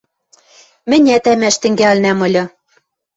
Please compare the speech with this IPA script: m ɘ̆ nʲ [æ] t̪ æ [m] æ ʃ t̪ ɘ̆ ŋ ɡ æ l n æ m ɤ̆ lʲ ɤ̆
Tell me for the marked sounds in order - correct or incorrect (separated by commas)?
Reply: correct, correct